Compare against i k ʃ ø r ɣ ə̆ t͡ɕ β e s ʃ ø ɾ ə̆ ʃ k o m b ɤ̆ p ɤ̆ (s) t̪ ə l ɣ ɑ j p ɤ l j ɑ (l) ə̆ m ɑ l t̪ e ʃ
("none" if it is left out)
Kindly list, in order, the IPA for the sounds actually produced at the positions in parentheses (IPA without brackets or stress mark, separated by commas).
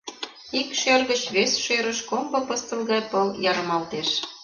s, ɾ